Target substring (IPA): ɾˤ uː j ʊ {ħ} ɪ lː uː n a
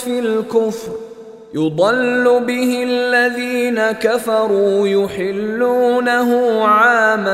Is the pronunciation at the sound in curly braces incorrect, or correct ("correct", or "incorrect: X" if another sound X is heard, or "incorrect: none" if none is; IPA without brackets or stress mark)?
correct